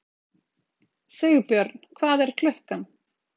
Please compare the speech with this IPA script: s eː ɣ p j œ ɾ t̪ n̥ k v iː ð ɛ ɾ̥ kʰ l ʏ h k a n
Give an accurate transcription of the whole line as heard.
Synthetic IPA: s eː ɣ p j œ ɾ t̪ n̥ kʰ v aː ð ɛ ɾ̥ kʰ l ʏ h k a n